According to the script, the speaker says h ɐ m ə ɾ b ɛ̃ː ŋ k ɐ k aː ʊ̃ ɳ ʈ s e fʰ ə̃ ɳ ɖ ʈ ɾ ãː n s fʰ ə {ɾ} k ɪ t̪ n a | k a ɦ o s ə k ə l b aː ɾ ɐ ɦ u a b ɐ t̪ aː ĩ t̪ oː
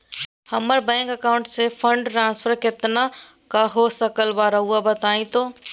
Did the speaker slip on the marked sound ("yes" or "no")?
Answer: no